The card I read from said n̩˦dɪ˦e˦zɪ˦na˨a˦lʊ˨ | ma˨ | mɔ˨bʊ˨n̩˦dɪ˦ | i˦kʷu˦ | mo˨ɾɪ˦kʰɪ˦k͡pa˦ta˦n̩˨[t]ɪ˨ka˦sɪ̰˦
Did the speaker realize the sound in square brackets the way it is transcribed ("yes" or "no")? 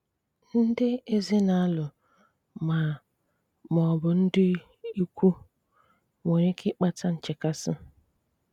no